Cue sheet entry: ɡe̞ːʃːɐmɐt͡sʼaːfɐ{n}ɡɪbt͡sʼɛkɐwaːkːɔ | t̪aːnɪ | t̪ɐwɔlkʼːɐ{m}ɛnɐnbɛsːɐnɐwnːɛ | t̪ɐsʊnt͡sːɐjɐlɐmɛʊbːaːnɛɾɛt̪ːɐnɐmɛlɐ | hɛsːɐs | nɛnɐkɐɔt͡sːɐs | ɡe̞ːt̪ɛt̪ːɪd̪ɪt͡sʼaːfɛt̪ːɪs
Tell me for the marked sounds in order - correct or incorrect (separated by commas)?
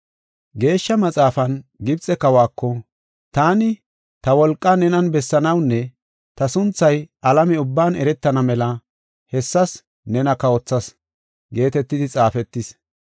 correct, incorrect